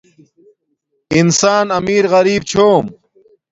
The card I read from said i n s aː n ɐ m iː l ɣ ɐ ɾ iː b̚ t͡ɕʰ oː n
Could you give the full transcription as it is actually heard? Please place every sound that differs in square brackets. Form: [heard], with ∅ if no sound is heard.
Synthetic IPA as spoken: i n s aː n ɐ m iː [ɾ] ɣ ɐ ɾ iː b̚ t͡ɕʰ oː [m]